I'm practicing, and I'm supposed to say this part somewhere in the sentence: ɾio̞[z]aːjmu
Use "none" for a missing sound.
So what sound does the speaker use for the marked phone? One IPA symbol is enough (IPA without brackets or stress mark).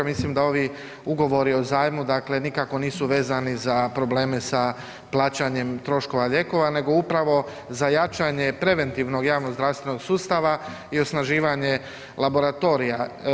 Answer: z